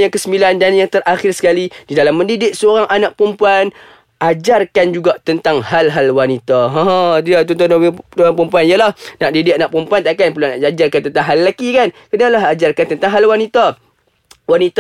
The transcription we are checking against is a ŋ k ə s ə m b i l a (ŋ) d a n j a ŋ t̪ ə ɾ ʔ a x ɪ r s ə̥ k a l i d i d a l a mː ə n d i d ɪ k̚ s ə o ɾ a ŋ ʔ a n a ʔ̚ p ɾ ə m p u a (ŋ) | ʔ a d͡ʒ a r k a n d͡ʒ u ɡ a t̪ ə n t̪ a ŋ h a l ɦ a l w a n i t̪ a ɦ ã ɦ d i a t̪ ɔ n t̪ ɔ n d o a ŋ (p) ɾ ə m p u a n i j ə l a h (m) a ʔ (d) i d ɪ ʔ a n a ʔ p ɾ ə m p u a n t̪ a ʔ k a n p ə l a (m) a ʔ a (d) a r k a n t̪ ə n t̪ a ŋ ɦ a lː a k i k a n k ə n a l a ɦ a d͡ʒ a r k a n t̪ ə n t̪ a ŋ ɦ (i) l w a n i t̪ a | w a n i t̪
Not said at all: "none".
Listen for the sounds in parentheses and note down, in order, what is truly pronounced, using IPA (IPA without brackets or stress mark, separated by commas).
n, n, p, n, d, n, d͡ʒ, a